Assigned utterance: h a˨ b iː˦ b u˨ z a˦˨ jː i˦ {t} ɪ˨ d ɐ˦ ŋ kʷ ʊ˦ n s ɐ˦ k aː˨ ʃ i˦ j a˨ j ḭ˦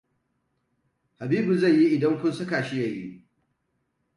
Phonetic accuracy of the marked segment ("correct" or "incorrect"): incorrect